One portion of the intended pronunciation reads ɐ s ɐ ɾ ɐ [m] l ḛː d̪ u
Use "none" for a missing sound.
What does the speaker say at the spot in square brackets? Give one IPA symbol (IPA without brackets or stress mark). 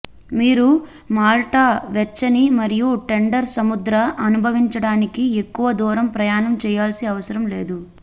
m